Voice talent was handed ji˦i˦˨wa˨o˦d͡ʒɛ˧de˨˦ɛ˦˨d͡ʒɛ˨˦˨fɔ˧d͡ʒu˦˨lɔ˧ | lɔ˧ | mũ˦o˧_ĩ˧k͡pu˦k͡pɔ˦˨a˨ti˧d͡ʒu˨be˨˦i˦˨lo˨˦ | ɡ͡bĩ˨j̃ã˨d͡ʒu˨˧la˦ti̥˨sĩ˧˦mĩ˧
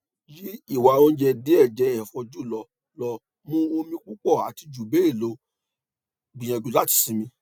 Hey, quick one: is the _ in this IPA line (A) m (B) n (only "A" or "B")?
A